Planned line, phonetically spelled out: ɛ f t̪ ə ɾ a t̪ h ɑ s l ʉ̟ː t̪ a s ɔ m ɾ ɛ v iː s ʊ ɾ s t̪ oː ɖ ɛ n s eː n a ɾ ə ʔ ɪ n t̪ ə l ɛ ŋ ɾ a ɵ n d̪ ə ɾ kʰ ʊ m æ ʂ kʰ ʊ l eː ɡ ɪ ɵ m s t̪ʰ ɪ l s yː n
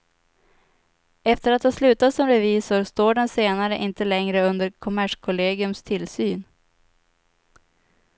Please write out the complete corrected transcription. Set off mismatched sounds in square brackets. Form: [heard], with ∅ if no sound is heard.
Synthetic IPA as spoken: ɛ f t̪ ə ɾ a t̪ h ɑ s l ʉ̟ː t̪ a s ɔ m ɾ ɛ v iː s ʊ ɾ s t̪ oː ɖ ɛ n s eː n a ɾ ə ʔ ɪ n t̪ ə l ɛ ŋ ɾ [ə] ɵ n d̪ ə ɾ kʰ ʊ m æ ʂ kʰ ʊ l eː ɡ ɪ ɵ m s t̪ʰ ɪ l s yː n